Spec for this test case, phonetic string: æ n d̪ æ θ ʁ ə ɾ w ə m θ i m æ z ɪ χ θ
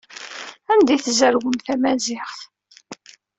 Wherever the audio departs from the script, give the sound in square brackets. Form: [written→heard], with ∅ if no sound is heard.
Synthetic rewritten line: æ n d̪ [æ→i] θ [ʁ→z] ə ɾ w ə m θ [i→æ] m æ z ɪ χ θ